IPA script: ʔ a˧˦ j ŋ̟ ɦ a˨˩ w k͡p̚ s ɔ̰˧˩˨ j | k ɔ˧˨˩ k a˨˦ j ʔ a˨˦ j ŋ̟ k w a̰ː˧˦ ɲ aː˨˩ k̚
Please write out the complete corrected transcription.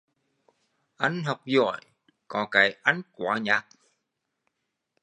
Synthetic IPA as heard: ʔ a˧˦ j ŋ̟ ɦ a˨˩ w k͡p̚ z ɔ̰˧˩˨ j | k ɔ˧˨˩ k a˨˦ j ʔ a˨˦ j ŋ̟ k w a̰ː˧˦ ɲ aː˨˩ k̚